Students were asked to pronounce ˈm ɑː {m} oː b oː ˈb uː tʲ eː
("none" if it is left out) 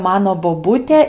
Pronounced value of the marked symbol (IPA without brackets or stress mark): n